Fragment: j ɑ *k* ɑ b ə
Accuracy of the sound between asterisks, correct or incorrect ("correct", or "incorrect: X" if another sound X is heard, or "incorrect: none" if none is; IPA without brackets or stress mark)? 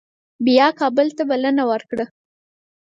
correct